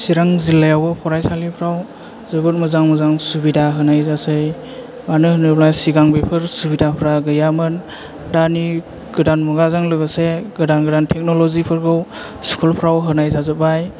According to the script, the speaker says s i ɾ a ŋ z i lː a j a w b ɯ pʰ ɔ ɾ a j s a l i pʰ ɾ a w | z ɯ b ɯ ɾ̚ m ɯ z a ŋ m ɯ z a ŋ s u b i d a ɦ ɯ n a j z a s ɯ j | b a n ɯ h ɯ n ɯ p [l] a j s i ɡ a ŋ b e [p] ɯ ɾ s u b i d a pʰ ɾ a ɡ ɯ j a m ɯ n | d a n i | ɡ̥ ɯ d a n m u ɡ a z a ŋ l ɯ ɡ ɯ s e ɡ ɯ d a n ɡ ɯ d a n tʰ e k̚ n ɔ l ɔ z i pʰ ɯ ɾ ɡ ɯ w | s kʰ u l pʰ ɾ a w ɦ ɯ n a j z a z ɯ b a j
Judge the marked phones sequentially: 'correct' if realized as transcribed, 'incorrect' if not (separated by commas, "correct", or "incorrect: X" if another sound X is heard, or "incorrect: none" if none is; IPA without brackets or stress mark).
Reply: correct, incorrect: pʰ